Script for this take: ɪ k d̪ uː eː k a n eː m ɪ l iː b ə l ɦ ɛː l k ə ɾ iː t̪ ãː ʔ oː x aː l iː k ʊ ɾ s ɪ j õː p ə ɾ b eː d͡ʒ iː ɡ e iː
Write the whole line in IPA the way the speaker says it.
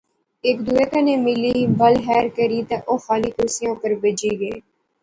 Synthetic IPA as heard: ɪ k d̪ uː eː k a n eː m ɪ l iː b ə l ɦ ɛː ɾ k ə ɾ iː t̪ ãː ʔ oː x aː l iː k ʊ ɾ s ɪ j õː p ə ɾ b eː d͡ʒ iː ɡ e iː